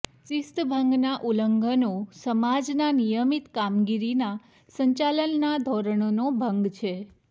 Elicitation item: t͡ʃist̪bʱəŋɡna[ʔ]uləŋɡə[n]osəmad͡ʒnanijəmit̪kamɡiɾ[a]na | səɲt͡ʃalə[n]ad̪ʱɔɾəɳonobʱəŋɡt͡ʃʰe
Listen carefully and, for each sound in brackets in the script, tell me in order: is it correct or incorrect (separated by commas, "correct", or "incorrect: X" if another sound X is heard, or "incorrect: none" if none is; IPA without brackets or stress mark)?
correct, correct, incorrect: i, incorrect: nː